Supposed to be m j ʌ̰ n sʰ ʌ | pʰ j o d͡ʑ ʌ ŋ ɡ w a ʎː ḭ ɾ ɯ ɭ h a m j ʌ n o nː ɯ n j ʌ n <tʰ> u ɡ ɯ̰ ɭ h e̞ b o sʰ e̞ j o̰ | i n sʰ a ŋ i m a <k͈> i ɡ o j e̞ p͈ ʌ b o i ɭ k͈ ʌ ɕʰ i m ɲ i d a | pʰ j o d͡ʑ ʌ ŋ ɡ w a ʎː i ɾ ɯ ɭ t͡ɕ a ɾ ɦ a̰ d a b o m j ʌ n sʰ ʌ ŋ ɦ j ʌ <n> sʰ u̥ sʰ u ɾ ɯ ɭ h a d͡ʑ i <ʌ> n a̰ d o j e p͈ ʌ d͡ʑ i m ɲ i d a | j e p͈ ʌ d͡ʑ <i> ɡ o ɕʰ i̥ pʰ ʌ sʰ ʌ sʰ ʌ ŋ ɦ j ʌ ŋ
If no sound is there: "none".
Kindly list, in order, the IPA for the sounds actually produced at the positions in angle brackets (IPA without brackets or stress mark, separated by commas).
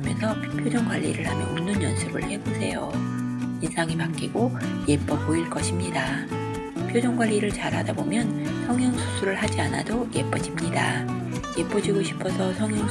sʰ, k͈, ŋ, a, i